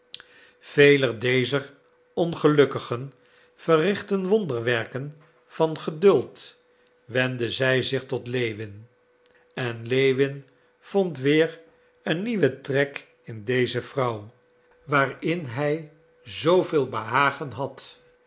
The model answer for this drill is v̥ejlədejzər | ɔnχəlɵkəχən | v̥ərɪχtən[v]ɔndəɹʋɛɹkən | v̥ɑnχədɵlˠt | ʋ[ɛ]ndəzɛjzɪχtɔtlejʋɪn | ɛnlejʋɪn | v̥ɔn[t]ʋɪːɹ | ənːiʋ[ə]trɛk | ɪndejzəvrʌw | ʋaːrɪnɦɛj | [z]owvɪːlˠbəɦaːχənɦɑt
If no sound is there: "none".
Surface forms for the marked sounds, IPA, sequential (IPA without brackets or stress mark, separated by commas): ʋ, ɛ, t, ə, z